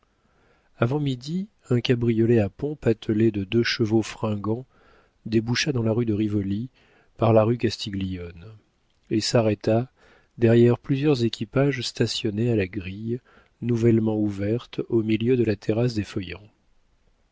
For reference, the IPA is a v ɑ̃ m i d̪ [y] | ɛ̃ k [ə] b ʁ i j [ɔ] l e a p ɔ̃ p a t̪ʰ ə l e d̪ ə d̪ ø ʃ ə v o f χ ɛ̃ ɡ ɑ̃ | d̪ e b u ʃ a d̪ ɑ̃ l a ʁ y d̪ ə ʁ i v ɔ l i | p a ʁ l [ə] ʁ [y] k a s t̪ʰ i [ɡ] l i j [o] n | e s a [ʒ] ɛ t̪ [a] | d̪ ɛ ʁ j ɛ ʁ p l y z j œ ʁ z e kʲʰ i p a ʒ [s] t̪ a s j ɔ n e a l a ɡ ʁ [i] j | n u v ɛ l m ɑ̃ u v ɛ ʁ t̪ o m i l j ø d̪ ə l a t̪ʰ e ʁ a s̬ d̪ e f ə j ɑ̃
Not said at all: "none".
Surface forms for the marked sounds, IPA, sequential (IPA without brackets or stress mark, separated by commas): i, a, ɔ, a, y, ɡ, ɔ, ʁ, a, s, i